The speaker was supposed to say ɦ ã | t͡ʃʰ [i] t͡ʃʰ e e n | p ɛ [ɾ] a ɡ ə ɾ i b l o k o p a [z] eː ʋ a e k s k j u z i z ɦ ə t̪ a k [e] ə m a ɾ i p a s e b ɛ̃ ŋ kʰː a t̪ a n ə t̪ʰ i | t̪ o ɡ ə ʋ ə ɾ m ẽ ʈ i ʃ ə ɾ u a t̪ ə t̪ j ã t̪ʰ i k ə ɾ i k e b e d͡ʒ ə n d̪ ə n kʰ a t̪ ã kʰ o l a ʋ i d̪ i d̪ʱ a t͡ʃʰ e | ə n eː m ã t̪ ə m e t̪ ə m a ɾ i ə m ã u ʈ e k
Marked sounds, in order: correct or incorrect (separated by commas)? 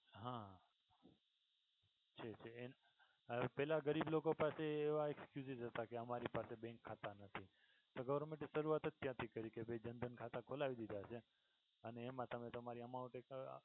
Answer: incorrect, incorrect, incorrect, correct